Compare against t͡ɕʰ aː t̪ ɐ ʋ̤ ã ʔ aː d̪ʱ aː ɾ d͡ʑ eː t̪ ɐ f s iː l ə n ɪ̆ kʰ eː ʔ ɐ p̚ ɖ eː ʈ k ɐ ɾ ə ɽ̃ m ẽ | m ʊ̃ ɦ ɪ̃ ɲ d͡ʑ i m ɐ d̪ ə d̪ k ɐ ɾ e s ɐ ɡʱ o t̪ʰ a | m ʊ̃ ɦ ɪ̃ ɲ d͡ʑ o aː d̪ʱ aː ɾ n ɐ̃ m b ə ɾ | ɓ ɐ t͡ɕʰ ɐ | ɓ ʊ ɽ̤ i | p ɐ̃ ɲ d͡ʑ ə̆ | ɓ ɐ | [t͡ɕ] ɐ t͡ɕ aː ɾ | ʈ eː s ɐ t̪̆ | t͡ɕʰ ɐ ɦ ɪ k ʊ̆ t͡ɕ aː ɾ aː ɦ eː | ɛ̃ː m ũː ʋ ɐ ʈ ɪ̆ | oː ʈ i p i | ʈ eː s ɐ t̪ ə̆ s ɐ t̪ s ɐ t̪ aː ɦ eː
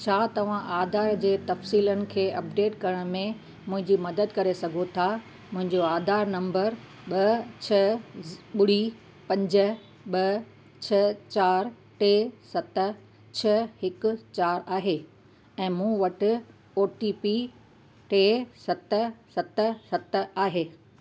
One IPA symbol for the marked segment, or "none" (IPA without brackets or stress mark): t͡ɕʰ